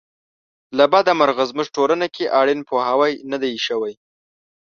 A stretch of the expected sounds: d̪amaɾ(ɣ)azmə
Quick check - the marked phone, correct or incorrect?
correct